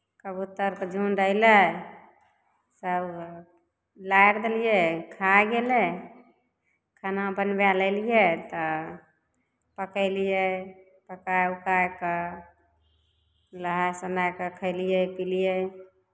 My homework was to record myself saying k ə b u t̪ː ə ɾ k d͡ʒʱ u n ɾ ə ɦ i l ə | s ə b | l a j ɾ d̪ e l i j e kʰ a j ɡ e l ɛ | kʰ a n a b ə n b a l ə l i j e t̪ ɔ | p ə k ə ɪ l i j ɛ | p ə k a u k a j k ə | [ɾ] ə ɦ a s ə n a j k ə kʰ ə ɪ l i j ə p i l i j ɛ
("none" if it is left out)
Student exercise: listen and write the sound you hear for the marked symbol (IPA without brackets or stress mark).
l